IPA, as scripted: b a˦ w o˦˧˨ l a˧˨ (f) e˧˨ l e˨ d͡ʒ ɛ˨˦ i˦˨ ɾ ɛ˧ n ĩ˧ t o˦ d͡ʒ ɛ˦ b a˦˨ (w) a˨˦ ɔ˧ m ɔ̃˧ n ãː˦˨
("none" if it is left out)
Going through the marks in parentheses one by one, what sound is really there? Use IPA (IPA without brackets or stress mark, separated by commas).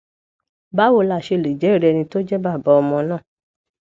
ʃ, b